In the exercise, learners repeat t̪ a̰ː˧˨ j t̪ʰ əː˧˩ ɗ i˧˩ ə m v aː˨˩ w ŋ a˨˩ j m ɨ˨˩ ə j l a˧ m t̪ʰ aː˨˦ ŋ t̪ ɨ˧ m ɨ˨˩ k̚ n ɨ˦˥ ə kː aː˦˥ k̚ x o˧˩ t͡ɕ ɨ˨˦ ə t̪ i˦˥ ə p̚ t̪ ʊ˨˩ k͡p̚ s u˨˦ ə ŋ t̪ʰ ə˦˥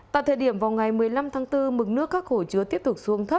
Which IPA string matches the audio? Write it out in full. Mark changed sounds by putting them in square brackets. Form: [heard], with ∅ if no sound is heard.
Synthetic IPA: t̪ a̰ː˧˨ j t̪ʰ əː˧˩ ɗ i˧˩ ə m v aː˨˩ w ŋ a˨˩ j m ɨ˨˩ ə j l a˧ m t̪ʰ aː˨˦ ŋ t̪ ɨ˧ m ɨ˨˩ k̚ n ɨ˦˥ ə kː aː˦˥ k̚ x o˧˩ t͡ɕ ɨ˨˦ ə t̪ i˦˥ ə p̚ t̪ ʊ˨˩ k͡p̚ s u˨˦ ə ŋ t̪ʰ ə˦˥